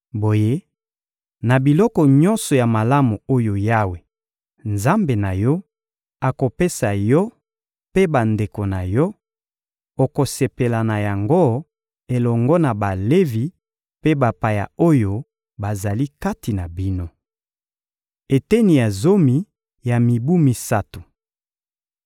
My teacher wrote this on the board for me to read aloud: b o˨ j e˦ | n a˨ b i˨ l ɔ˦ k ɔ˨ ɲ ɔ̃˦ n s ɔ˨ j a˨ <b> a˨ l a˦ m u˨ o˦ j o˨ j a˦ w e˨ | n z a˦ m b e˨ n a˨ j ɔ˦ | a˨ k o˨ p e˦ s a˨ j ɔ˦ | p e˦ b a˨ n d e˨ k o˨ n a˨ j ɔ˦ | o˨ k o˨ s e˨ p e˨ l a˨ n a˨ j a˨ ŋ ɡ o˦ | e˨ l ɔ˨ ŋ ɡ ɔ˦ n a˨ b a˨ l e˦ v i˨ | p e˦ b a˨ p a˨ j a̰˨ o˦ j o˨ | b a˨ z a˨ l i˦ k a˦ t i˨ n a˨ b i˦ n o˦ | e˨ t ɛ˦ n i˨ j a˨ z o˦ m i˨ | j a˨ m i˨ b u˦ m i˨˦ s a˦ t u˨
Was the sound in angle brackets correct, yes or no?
no